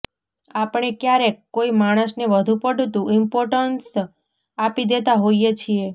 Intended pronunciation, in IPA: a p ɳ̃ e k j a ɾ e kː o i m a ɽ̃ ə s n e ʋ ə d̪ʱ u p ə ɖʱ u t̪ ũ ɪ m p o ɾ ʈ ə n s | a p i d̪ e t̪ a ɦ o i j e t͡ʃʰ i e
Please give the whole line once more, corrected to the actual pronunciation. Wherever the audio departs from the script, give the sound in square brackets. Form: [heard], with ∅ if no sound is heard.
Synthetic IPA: a p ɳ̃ e k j a ɾ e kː o i m a ɽ̃ ə s n e ʋ ə d̪ʱ u p ə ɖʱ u t̪ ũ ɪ m p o ɾ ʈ ə n s | a p i d̪ e t̪ a ɦ o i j e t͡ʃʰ i e